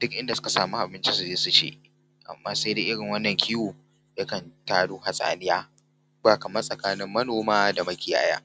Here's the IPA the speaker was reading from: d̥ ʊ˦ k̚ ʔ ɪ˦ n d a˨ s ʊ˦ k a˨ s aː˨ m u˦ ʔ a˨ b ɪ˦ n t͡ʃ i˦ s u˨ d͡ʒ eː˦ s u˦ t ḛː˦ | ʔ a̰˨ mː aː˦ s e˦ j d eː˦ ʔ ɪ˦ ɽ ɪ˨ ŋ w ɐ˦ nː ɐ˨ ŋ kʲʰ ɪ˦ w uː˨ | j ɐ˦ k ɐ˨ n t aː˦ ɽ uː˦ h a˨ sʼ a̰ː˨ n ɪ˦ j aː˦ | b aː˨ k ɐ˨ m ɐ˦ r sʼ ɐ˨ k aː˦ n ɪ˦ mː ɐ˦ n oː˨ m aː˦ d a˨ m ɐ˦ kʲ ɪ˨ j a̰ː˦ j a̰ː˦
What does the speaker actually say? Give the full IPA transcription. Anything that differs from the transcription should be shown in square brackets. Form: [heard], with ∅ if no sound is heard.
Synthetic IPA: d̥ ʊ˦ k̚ ʔ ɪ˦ n d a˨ s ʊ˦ k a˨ s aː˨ m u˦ ʔ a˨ b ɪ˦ n t͡ʃ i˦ s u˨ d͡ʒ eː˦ s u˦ [t͡ʃ] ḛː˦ | ʔ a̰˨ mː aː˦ s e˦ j d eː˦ ʔ ɪ˦ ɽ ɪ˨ ŋ w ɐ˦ nː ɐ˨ ŋ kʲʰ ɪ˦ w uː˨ | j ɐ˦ k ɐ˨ n t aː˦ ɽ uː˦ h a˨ sʼ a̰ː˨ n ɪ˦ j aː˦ | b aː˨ k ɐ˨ m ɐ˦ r sʼ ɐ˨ k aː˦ n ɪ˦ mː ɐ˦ n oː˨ m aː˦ d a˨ m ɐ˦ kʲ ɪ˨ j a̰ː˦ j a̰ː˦